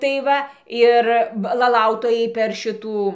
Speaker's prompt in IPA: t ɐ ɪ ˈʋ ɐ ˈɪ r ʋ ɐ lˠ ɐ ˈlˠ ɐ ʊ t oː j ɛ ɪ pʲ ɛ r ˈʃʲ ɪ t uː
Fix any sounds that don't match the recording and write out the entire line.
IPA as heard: t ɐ ɪ ˈʋ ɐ ˈɪ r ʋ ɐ lˠ ɐ ˈlˠ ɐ ʊ t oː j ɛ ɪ pʲ ɛ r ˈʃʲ ɪ t uː